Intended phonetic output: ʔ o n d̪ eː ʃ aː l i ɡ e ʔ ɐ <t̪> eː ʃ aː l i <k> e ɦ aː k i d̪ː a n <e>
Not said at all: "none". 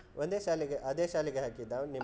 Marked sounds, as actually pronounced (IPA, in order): d̪, ɡ, i

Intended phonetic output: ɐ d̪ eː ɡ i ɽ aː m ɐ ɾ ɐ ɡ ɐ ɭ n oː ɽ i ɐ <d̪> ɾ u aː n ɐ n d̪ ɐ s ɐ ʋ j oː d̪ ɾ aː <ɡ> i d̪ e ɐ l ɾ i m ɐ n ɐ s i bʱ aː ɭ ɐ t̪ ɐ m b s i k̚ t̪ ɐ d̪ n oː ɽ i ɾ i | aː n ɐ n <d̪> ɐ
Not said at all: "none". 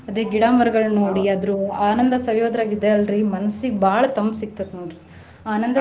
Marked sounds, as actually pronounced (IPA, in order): d̪, ɡ, d̪

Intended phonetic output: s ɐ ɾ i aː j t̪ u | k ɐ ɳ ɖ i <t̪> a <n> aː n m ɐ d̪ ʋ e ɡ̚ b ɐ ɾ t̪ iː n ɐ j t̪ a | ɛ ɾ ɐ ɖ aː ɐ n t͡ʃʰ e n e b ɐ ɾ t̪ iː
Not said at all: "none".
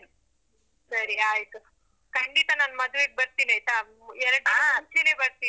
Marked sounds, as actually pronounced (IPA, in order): t̪, n

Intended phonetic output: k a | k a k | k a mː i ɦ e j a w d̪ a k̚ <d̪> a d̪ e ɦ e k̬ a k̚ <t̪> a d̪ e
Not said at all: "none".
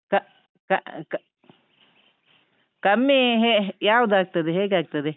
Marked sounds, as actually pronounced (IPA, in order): t̪, t̪

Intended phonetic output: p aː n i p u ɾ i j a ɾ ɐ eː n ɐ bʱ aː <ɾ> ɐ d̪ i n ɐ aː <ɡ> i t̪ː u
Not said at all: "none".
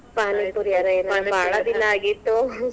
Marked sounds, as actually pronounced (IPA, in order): ɭ, ɡ

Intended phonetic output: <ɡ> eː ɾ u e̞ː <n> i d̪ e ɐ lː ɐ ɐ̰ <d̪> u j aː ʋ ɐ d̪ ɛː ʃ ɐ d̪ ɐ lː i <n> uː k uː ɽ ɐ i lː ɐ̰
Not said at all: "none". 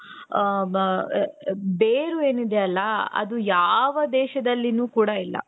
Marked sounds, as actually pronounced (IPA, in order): b, n, d̪, n

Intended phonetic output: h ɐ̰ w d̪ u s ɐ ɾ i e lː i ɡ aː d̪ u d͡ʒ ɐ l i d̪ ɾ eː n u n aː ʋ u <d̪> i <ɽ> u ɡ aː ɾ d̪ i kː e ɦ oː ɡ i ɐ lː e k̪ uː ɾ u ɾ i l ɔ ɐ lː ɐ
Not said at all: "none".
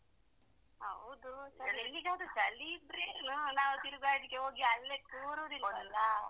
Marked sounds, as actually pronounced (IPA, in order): t̪, ɾ

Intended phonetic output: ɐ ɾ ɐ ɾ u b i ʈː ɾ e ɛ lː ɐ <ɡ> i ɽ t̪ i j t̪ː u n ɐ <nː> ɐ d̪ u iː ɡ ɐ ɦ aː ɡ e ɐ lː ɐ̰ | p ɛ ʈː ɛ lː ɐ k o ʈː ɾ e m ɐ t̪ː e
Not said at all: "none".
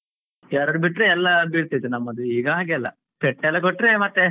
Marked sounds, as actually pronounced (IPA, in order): b, mː

